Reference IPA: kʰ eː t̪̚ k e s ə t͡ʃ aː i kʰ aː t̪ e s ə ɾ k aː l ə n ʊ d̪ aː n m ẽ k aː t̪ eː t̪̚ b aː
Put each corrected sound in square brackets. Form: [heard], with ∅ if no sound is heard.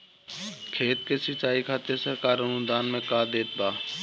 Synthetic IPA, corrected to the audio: kʰ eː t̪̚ k e s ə t͡ʃ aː i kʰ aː t̪ e s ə ɾ k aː [ɾ] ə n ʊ d̪ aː n m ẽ k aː [d̪] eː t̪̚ b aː